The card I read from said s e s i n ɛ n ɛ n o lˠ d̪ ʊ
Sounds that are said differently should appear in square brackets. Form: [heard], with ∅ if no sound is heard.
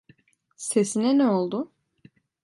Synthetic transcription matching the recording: s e s i n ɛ n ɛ [∅] o lˠ d̪ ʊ